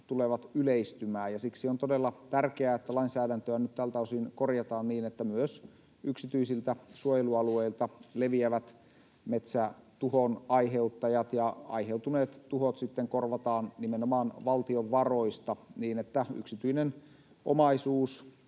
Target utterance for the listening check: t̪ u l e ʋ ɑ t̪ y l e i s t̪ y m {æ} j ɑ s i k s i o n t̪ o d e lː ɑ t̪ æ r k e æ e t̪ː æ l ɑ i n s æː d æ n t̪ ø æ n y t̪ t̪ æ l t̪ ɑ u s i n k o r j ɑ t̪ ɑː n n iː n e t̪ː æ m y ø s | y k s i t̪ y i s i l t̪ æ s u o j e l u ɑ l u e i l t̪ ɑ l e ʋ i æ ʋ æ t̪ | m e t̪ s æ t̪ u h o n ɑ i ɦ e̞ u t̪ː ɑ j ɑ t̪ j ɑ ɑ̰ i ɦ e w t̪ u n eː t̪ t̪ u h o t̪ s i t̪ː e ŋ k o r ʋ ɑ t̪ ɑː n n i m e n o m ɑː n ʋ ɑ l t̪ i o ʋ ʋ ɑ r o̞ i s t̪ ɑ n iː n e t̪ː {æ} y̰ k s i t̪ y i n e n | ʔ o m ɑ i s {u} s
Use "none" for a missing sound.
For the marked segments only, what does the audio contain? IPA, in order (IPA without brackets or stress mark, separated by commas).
æː, æ, uː